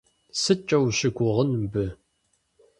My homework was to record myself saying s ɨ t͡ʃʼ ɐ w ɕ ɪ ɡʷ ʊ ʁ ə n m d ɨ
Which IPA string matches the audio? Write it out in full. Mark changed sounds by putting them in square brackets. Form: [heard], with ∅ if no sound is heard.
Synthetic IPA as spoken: s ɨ t͡ʃʼ ɐ w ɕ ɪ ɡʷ ʊ ʁ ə n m [b] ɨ